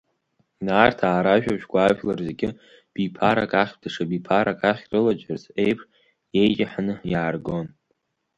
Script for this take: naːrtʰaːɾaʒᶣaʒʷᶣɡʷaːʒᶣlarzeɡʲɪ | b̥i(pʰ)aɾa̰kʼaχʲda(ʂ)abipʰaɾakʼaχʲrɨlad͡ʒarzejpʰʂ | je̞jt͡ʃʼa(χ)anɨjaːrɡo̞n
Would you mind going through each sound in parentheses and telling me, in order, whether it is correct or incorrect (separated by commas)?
correct, correct, incorrect